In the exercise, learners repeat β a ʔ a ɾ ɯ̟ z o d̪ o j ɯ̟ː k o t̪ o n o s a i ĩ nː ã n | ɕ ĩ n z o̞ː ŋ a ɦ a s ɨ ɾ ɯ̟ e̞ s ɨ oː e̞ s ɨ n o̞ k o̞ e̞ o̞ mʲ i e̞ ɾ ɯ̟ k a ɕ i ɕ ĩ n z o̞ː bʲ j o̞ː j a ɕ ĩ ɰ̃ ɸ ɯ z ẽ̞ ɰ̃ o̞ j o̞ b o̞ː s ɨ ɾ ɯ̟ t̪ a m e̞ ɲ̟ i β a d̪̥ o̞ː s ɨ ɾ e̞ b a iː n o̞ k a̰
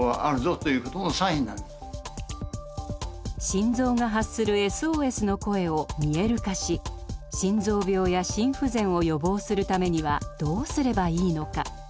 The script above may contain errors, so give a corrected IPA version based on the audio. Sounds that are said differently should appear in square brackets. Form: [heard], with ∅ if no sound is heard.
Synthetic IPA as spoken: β a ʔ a ɾ ɯ̟ z o [t̪] o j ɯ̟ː k o t̪ o n o s a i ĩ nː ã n | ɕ ĩ n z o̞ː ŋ a ɦ a s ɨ ɾ ɯ̟ e̞ s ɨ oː e̞ s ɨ n o̞ k o̞ e̞ o̞ mʲ i e̞ ɾ ɯ̟ k a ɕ i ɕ ĩ n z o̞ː bʲ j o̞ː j a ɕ ĩ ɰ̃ ɸ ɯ z ẽ̞ ɰ̃ o̞ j o̞ b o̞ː s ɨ ɾ ɯ̟ t̪ a m e̞ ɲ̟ i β a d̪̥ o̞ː s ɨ ɾ e̞ b a iː n o̞ k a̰